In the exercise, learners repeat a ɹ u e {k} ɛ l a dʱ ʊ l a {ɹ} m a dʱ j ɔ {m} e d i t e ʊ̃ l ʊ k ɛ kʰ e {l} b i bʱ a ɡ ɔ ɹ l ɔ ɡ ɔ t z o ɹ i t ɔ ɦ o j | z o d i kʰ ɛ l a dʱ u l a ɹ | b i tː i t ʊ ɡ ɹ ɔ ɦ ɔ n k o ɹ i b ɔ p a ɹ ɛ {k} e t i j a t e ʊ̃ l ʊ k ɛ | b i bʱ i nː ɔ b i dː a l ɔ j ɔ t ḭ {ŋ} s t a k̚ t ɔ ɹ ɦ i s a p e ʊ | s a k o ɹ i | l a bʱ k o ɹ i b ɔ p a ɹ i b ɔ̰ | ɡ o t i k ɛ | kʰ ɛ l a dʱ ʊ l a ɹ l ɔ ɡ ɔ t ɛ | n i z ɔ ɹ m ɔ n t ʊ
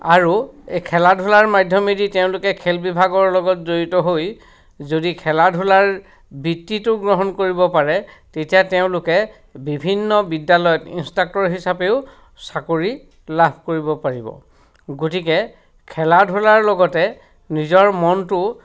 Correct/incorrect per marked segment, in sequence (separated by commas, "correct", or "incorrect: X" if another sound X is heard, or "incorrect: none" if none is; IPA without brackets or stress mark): incorrect: kʰ, correct, correct, correct, incorrect: t, incorrect: n